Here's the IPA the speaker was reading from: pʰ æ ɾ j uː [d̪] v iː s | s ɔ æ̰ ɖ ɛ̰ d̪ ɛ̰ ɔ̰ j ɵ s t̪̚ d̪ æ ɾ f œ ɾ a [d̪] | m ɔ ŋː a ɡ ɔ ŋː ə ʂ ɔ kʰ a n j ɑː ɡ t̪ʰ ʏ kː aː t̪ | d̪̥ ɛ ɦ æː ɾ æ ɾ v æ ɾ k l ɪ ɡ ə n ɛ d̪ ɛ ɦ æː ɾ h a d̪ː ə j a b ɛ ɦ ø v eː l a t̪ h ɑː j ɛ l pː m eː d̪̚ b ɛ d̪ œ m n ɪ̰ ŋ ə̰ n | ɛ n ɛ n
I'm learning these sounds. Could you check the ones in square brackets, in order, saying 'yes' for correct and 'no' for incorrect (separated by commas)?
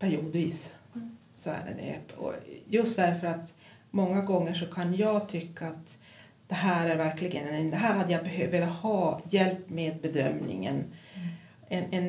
yes, no